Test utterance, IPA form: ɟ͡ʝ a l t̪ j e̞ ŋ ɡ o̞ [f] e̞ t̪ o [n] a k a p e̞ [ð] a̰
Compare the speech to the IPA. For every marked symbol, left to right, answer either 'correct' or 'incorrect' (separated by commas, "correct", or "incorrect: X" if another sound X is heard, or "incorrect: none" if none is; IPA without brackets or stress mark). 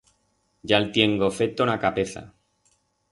correct, correct, incorrect: θ